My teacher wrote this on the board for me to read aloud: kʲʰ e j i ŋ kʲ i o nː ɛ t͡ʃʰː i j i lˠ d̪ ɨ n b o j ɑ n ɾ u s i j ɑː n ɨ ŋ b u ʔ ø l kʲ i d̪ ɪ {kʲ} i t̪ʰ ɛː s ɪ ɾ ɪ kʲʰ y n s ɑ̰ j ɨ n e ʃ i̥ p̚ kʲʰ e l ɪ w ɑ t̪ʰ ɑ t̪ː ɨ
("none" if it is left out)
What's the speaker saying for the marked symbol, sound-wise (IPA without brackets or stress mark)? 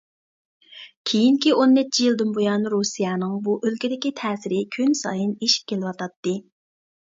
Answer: kʲ